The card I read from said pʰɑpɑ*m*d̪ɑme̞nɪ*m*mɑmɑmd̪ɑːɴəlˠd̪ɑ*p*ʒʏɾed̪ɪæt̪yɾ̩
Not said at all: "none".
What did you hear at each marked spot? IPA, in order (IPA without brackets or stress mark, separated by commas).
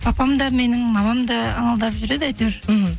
m, ŋ, p